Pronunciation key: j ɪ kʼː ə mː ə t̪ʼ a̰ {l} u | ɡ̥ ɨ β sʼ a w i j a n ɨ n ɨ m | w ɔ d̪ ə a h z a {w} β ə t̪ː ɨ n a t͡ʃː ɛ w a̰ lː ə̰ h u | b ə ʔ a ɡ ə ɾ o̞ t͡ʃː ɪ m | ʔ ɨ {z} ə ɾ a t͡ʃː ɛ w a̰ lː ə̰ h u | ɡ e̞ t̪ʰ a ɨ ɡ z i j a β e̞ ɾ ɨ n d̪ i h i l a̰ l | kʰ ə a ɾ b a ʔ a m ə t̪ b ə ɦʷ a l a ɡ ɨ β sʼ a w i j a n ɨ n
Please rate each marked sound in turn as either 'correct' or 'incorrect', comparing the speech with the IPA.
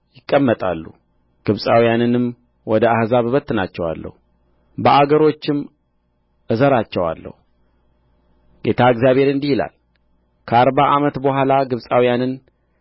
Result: incorrect: lː, incorrect: β, correct

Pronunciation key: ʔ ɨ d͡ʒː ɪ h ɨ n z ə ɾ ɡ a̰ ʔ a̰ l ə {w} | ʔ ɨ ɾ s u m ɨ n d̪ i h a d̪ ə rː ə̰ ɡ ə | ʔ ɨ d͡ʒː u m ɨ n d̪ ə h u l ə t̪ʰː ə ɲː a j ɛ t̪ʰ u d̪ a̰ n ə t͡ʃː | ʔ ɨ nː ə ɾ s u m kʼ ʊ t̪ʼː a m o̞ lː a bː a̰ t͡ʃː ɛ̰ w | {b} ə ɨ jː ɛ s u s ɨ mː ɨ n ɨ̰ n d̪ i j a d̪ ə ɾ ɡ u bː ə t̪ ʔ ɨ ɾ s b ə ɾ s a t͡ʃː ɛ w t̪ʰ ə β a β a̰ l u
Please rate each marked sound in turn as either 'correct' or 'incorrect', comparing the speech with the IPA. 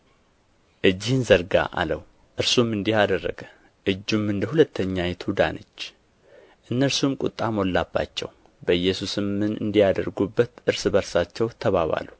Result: correct, correct

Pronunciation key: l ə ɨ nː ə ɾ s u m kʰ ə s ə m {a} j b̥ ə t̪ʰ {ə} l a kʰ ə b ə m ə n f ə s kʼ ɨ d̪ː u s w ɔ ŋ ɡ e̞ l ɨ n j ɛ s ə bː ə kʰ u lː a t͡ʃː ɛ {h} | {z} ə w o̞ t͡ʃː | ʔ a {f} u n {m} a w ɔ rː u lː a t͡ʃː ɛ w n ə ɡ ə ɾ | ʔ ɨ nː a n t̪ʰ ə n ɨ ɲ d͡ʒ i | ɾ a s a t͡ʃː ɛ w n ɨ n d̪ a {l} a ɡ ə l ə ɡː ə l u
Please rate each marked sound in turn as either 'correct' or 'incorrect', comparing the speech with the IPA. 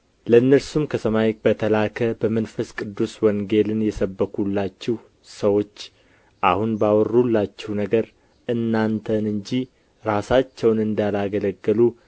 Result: correct, correct, correct, incorrect: s, incorrect: h, incorrect: b, correct

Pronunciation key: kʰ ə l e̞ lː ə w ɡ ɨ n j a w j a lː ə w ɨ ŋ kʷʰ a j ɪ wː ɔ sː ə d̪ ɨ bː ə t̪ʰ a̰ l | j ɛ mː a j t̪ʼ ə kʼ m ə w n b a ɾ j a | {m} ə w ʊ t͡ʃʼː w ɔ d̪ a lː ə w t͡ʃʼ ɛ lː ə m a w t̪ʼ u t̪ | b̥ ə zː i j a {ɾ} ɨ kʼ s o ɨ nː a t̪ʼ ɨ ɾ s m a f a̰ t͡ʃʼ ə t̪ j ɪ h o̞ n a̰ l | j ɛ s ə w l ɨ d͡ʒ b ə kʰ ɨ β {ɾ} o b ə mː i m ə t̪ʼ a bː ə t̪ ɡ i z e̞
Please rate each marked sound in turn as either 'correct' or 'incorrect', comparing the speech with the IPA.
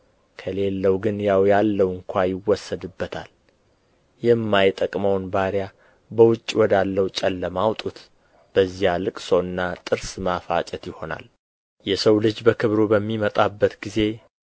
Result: incorrect: b, incorrect: l, correct

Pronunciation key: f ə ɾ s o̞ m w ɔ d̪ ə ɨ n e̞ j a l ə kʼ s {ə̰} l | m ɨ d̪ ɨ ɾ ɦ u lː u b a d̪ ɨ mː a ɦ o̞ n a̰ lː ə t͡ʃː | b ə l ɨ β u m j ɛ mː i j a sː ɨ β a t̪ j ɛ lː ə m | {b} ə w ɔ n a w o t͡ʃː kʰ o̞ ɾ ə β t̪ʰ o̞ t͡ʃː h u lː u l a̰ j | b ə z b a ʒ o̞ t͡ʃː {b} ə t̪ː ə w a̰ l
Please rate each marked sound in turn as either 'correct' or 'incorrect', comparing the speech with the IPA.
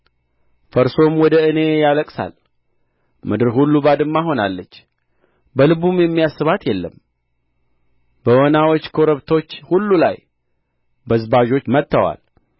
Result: incorrect: a̰, correct, incorrect: m

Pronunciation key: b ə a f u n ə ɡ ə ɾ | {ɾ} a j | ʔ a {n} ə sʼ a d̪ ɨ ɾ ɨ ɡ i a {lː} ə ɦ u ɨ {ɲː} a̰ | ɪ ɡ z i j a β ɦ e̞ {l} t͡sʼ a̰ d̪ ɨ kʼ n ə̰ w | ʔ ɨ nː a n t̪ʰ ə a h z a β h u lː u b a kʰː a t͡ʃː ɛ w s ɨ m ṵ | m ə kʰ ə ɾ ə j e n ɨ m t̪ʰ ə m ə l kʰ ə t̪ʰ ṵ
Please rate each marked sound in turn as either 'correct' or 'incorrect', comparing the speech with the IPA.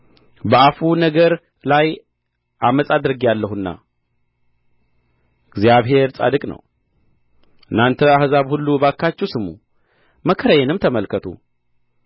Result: incorrect: l, incorrect: m, correct, incorrect: nː, incorrect: ɾ

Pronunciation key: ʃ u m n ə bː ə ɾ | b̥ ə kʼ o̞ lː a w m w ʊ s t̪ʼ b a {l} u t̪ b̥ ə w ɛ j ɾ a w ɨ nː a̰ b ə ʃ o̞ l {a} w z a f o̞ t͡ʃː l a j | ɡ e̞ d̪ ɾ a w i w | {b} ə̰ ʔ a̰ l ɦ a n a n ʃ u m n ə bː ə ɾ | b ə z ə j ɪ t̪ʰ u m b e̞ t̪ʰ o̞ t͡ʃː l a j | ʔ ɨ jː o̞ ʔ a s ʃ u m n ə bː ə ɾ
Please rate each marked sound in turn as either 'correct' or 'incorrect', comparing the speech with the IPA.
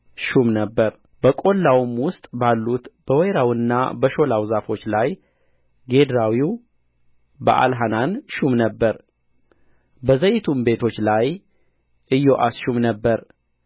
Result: incorrect: lː, correct, correct

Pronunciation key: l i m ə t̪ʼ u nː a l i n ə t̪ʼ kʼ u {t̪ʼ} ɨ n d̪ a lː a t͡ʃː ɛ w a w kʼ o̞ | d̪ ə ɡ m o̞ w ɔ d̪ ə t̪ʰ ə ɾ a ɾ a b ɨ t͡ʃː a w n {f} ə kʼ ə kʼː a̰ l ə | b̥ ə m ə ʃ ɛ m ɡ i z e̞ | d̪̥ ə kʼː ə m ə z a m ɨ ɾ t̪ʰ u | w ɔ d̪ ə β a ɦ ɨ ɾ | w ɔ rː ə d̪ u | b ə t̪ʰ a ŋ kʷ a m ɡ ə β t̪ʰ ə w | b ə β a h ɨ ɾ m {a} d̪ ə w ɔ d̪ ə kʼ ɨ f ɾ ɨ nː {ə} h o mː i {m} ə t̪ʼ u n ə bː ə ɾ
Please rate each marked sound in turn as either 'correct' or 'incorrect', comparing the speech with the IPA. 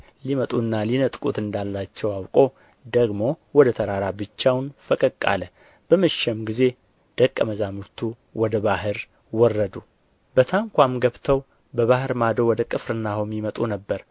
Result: incorrect: t̪, correct, correct, incorrect: a, correct

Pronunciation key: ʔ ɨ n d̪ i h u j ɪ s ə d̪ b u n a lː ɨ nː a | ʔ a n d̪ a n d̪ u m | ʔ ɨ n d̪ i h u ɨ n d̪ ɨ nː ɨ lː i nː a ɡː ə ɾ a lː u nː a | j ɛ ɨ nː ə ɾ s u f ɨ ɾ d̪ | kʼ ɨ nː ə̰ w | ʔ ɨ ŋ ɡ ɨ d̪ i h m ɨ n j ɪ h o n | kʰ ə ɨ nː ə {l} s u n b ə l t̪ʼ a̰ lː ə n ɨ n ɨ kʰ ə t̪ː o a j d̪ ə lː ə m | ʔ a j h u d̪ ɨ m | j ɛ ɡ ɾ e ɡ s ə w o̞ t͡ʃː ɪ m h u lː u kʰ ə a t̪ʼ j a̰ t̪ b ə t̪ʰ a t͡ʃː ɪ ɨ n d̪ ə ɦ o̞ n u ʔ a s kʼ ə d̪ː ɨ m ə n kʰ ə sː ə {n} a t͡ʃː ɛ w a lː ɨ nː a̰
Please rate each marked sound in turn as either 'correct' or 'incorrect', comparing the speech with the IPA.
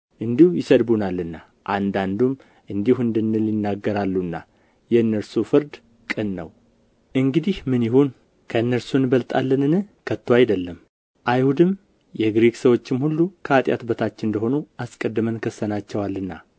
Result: incorrect: ɾ, correct

